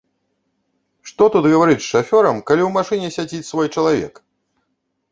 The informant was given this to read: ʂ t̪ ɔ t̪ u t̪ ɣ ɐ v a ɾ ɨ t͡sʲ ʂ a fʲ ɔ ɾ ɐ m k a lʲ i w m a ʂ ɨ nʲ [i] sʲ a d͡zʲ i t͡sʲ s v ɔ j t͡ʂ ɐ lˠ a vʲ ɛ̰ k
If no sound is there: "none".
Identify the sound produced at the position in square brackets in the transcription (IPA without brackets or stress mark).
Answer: ɛ